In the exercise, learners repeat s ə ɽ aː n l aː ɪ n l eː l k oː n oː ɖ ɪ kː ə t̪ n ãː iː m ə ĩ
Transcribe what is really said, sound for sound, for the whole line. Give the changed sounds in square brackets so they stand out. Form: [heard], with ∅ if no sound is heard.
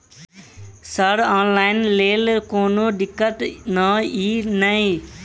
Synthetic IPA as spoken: s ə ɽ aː n l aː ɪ n l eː l k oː n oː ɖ ɪ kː ə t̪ n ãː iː [n] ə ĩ

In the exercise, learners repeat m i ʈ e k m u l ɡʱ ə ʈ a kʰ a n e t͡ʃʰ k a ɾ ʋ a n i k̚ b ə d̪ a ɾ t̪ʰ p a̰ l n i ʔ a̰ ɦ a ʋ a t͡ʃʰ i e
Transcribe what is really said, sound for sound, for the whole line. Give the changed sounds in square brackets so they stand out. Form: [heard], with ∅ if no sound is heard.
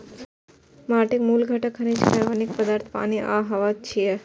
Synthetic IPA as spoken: m [a] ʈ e k m u l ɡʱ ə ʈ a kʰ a n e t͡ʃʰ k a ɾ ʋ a n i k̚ [p] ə d̪ a ɾ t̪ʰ p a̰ [∅] n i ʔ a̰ ɦ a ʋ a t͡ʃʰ i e

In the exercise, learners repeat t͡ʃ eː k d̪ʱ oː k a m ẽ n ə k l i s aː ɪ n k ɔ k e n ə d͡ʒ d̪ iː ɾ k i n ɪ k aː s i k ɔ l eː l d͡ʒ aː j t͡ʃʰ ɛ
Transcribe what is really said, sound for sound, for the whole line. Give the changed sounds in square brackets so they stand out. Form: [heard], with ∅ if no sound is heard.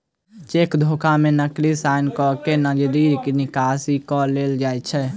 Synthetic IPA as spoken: t͡ʃ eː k d̪ʱ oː k a m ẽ n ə k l i s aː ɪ n k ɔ k e n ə d͡ʒ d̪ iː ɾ k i n ɪ k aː s i k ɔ l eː l d͡ʒ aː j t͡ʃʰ ɛ

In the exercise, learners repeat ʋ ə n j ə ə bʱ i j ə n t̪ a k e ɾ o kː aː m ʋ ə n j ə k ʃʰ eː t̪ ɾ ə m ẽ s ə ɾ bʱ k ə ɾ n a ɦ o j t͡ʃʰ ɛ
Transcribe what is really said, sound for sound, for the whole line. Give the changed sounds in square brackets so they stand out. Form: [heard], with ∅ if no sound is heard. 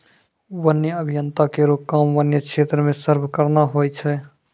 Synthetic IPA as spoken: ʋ ə n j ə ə bʱ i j ə n t̪ a k e ɾ o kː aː m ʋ ə n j ə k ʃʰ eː t̪ ɾ ə m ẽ s ə ɾ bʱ k ə ɾ n a ɦ o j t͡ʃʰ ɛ

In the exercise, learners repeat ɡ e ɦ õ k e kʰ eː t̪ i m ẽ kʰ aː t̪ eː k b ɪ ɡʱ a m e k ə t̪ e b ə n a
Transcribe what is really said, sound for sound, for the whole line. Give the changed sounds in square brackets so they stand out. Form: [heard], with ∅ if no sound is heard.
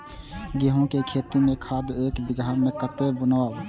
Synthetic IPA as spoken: ɡ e ɦ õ k e kʰ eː t̪ i m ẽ kʰ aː [d̪] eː k b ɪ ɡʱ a m e k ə t̪ e b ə n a

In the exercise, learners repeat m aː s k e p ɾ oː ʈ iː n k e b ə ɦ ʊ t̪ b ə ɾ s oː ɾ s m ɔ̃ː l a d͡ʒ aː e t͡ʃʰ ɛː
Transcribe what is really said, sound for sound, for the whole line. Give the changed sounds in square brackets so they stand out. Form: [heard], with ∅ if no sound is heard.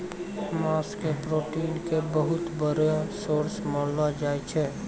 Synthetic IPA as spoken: m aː s k e p ɾ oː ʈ iː n k e b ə ɦ ʊ t̪ b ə ɾ s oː ɾ s m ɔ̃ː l a d͡ʒ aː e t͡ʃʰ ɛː

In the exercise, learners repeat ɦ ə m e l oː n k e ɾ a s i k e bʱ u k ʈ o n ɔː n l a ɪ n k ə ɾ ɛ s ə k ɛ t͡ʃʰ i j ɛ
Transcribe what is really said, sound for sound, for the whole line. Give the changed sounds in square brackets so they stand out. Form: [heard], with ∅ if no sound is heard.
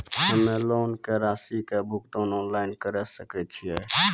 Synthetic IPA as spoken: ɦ ə m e l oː n k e ɾ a s i k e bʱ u k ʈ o n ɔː n l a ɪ n k ə ɾ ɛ s ə k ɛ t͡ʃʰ i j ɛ

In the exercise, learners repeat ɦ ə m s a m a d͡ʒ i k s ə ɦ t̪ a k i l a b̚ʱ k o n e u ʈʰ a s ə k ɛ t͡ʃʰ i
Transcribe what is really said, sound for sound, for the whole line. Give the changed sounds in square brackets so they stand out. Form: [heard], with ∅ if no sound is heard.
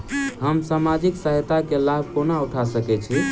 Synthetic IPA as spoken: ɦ ə m s a m a d͡ʒ i k s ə ɦ t̪ a k [e] l a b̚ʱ k o n [a] u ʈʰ a s ə k ɛ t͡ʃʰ i

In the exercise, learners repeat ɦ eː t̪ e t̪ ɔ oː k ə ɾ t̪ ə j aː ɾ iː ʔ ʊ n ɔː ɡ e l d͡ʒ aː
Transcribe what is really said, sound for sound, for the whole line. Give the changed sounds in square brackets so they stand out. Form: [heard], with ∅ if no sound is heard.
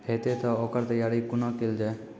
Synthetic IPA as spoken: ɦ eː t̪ e t̪ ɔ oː k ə ɾ t̪ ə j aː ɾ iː [k] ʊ n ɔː [k] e l d͡ʒ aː

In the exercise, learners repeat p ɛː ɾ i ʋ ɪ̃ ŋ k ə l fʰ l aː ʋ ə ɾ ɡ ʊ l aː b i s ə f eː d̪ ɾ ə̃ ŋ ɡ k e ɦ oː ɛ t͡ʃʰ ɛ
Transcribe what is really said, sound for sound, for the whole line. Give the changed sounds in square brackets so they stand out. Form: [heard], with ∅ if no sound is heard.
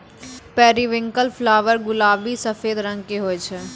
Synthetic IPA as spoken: p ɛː ɾ i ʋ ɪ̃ ŋ k ə l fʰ l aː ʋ ə ɾ ɡ ʊ l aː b i s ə f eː d̪ ɾ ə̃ ŋ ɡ k e ɦ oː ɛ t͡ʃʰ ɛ

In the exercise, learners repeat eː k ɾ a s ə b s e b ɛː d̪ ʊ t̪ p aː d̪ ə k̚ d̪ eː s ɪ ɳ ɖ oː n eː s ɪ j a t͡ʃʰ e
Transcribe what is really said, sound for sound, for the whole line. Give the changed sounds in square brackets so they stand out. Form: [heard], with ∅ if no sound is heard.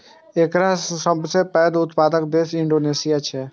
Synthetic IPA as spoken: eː k ɾ a s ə b s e [p] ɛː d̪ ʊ t̪ p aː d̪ ə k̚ d̪ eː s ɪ ɳ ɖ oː n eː s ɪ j a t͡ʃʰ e

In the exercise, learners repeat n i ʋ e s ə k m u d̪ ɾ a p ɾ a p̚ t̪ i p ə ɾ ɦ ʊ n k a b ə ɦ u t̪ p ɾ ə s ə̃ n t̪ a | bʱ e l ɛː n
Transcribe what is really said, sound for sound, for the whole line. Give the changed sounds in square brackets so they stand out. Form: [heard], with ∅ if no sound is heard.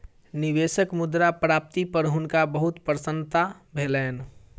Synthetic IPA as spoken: n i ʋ e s ə k m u d̪ ɾ a p ɾ a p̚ t̪ i p ə ɾ ɦ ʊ n k a b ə ɦ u t̪ p ɾ ə s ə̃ n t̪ a | bʱ e l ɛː n

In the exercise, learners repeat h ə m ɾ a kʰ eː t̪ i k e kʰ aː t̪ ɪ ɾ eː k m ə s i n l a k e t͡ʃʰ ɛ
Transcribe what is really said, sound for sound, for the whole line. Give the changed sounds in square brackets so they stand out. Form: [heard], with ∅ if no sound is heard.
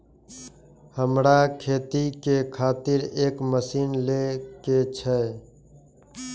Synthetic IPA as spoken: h ə m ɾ a kʰ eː t̪ i k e kʰ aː t̪ ɪ ɾ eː k m ə s [iː] n l [e] k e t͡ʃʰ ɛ

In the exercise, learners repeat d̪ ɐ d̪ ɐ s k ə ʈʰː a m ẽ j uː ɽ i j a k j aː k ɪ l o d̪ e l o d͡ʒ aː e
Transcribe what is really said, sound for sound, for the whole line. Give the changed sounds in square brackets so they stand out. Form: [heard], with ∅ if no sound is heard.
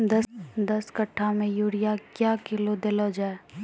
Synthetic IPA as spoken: d̪ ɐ d̪ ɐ s k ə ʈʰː a m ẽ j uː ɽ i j a k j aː k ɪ l o d̪ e l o d͡ʒ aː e

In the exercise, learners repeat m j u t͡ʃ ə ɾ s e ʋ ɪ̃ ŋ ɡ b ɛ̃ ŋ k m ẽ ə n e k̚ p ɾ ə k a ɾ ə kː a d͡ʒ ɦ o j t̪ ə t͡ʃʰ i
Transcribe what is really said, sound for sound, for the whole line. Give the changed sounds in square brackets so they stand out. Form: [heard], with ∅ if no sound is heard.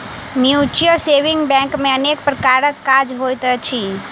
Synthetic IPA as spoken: m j u t͡ʃ ə ɾ s e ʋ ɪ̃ ŋ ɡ b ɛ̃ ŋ k m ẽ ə n e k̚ p ɾ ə k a ɾ ə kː a d͡ʒ ɦ o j t̪ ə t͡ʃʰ i

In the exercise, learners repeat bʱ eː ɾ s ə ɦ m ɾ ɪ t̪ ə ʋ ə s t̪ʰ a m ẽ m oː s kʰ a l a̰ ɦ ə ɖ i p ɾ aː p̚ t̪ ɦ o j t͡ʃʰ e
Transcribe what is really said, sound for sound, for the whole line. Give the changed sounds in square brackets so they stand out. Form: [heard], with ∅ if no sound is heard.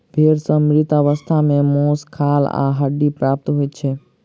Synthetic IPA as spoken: bʱ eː ɾ s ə [∅] m ɾ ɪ t̪ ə ʋ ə s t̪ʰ a m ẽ m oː s kʰ a l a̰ ɦ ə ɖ i p ɾ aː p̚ t̪ ɦ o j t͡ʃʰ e

